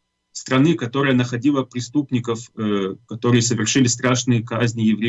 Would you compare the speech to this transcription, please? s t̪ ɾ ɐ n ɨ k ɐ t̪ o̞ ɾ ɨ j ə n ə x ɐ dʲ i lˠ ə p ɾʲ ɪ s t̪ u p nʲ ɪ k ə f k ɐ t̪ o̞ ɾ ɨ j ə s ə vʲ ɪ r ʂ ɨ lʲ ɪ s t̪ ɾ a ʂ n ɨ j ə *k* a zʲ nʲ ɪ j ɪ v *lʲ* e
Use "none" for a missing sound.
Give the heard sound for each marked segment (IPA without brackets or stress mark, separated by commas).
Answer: k, ɾʲ